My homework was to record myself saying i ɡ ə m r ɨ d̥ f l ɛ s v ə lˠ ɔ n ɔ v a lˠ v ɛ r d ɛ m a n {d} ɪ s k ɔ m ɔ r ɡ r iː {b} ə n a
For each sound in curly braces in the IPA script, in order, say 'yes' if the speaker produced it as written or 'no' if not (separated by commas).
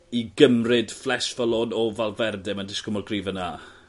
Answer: yes, no